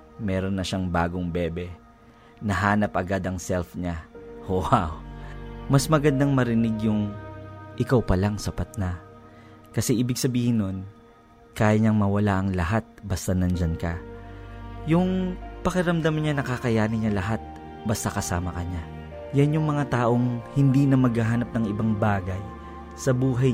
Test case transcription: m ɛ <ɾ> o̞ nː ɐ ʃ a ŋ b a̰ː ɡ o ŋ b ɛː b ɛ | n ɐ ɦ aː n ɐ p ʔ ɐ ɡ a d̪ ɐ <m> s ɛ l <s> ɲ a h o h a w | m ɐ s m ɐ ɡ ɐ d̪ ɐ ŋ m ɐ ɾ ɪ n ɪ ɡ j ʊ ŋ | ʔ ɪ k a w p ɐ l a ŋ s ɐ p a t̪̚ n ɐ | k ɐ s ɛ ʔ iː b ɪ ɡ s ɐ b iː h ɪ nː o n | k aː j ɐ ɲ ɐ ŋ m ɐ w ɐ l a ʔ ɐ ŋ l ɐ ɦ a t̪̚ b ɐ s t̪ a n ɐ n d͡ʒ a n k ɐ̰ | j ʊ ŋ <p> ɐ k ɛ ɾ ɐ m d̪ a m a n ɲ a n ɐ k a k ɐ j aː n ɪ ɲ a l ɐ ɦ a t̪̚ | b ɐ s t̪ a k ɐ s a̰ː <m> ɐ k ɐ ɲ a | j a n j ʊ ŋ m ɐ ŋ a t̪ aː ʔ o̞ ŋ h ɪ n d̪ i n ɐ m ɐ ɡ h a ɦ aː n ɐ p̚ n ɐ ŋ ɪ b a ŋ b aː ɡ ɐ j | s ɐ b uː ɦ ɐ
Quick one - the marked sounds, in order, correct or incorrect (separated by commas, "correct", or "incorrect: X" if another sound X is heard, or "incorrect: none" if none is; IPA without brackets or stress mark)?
correct, incorrect: ŋ, incorrect: f, correct, correct